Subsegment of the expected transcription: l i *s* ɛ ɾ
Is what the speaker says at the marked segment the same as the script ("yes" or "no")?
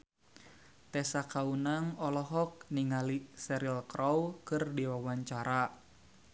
yes